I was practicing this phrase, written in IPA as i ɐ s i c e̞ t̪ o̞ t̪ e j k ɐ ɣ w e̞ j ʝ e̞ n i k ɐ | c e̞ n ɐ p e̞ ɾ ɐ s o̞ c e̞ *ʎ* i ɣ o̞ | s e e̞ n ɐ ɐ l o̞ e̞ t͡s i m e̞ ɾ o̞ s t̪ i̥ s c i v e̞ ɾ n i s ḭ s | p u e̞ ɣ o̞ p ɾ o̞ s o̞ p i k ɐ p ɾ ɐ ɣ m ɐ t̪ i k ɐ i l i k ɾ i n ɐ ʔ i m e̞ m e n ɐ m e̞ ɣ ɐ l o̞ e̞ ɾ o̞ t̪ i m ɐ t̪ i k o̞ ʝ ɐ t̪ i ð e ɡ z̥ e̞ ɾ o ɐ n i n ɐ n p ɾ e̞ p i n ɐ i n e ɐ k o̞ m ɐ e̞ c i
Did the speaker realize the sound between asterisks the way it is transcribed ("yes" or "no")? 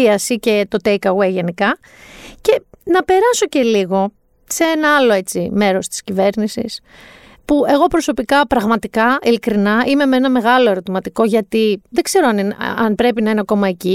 no